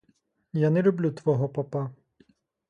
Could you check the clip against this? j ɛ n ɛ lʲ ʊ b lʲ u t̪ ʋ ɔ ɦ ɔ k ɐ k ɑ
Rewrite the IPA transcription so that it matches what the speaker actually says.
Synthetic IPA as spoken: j a n ɛ lʲ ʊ b lʲ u t̪ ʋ ɔ ɦ ɔ p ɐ p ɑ